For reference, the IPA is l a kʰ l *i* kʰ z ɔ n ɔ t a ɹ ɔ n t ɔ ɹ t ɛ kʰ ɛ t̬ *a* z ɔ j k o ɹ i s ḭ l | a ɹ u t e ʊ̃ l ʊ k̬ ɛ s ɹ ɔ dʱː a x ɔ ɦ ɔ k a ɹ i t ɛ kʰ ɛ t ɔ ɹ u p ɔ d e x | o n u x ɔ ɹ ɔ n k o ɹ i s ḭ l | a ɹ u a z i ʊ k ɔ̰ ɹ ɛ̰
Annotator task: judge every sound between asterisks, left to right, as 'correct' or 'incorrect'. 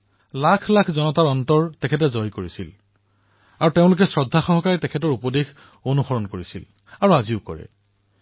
incorrect: a, incorrect: ɛ

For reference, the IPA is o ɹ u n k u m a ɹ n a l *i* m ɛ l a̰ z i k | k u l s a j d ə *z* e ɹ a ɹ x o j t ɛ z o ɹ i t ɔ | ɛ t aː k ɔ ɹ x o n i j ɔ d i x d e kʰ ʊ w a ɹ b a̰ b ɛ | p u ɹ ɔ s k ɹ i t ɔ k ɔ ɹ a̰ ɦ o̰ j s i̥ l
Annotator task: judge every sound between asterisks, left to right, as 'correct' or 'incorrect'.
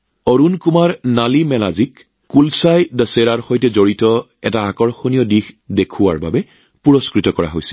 correct, incorrect: s

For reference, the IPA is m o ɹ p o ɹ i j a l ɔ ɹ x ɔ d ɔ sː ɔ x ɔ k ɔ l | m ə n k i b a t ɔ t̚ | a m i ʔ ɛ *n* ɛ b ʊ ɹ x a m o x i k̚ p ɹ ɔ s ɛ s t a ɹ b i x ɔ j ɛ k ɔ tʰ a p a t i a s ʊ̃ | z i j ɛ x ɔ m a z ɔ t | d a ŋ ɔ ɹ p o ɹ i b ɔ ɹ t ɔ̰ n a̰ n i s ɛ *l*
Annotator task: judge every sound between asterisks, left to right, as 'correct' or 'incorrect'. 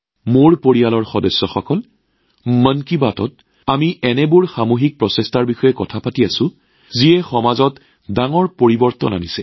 correct, incorrect: none

